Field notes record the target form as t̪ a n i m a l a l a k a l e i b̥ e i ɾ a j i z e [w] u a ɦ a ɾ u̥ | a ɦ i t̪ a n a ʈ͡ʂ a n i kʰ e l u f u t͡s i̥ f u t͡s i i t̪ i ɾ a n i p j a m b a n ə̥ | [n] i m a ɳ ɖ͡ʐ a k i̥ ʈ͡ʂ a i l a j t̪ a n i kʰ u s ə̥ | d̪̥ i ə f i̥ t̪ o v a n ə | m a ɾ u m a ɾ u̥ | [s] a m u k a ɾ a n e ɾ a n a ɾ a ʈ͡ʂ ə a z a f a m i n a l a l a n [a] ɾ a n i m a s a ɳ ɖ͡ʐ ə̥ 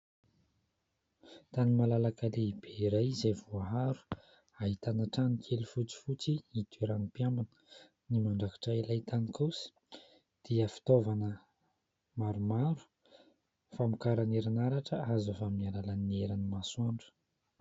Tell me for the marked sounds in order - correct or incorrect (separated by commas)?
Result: incorrect, correct, incorrect, incorrect